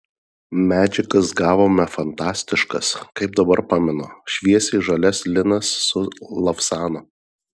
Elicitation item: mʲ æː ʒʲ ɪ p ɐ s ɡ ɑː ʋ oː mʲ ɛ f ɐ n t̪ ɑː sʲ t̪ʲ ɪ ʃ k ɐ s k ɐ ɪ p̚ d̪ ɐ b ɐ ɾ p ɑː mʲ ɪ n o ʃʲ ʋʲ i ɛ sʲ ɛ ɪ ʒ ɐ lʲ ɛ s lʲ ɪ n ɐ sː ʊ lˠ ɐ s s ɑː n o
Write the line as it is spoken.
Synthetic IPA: mʲ æː d͡ʒʲ ɪ k ɐ s ɡ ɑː ʋ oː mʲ ɛ f ɐ n t̪ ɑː sʲ t̪ʲ ɪ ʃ k ɐ s k ɐ ɪ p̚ d̪ ɐ b ɐ ɾ p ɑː mʲ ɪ n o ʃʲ ʋʲ i ɛ sʲ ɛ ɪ ʒ ɐ lʲ ɛ s lʲ ɪ n ɐ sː ʊ lˠ ɐ f s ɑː n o